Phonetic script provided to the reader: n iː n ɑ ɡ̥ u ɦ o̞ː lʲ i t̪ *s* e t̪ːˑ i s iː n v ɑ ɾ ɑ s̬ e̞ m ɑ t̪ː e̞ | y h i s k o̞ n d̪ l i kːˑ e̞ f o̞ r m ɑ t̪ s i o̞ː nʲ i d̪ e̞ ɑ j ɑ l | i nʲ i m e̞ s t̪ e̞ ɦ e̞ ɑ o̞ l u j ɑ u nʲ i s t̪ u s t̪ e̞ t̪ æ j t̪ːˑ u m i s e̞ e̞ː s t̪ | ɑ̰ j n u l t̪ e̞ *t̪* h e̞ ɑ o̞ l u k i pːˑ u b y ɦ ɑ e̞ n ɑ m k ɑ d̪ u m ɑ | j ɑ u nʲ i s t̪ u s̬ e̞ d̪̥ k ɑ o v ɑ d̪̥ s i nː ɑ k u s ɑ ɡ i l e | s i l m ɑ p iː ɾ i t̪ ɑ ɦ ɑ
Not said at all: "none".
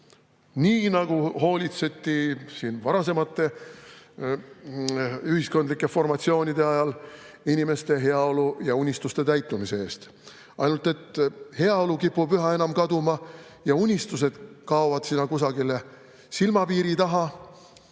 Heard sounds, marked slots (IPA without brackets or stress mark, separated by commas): s, t̪